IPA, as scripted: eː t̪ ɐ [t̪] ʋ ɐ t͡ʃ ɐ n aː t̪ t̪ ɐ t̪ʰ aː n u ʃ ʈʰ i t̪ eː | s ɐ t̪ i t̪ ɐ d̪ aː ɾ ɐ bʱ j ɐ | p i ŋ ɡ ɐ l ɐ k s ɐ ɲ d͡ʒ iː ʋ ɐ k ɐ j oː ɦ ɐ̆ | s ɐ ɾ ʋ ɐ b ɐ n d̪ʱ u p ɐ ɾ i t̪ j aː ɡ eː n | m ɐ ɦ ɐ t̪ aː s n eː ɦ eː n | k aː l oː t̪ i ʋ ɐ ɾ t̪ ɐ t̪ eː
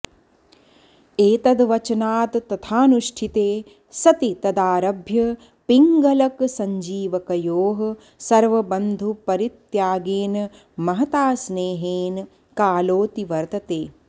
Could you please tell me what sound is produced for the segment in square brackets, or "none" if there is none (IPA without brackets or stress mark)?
d̪